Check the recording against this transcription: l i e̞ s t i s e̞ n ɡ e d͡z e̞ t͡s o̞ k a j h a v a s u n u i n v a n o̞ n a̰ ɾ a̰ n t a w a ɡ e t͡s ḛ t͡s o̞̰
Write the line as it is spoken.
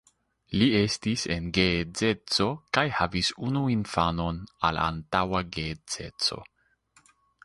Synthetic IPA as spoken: l i e̞ s t i s e̞ n ɡ e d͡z e̞ t͡s o̞ k a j h a v i s u n u i n f a n o̞ n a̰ l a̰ n t a w a ɡ e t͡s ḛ t͡s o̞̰